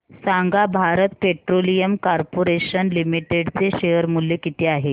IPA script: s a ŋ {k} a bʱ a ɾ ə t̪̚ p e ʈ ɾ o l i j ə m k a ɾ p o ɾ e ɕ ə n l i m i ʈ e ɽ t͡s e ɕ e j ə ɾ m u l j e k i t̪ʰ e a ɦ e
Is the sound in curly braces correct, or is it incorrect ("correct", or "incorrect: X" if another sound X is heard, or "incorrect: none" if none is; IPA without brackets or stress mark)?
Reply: incorrect: ɡ